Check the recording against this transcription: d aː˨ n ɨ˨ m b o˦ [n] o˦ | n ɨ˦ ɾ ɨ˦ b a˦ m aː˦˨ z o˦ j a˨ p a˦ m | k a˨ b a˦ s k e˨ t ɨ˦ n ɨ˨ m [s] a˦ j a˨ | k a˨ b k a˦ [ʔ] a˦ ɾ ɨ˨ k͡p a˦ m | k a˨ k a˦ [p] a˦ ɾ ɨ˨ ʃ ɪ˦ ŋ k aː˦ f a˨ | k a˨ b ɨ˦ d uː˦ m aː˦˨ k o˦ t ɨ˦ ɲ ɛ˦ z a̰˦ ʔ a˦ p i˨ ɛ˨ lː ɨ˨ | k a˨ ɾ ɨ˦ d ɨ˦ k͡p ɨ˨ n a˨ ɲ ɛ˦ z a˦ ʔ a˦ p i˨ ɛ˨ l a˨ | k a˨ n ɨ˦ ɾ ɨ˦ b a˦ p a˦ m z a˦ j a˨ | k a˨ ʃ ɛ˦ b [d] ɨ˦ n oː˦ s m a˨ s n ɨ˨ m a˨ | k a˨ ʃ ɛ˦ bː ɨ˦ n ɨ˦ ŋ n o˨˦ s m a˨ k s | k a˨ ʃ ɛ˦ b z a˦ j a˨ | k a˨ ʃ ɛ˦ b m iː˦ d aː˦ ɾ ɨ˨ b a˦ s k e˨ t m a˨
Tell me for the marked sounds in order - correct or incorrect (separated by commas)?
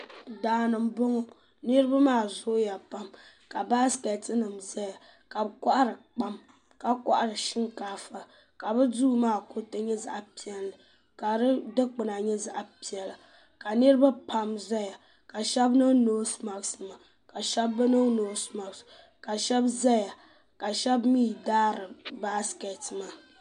incorrect, incorrect, correct, incorrect, incorrect